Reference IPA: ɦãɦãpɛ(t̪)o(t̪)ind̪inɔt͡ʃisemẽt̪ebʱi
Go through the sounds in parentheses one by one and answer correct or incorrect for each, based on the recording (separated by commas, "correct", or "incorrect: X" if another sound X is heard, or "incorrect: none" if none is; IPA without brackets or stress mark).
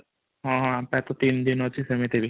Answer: correct, correct